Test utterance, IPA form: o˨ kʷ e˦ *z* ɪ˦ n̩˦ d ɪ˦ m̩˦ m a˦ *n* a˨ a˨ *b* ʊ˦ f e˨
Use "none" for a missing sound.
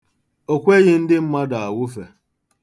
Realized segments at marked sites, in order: ɣ, d, w

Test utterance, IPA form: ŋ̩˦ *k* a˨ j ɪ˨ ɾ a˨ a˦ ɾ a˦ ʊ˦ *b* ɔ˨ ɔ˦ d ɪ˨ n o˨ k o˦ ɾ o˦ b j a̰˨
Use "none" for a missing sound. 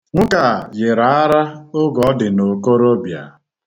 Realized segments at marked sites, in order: k, ɡ

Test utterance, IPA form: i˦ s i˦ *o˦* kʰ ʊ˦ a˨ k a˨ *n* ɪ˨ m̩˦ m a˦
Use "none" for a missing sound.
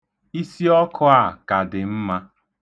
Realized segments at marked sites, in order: ɔ˦, d

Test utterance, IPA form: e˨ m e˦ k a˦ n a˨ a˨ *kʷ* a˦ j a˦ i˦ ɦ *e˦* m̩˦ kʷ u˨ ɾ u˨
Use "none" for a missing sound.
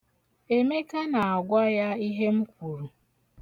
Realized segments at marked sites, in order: ɡʷ, e˦

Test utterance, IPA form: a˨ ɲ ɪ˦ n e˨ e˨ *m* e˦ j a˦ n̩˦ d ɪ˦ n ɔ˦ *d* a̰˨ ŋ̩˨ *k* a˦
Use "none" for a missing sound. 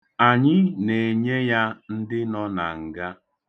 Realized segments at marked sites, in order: ɲ, n, ɡ

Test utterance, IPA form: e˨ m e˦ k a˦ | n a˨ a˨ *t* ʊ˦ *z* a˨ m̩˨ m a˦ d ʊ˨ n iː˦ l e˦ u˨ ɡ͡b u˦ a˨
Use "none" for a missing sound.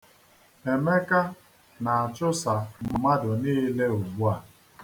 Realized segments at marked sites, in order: t͡ʃ, s

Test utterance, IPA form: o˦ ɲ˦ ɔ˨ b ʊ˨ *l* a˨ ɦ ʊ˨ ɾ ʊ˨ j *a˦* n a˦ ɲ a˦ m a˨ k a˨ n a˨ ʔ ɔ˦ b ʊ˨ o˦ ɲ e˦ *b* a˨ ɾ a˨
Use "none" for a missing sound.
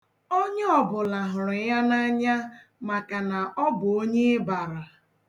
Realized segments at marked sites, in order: l, a˦, b

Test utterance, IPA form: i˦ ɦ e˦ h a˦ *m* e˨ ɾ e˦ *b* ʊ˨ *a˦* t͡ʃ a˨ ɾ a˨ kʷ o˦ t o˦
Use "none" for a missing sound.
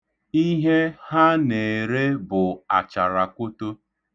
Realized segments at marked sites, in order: n, b, a˨

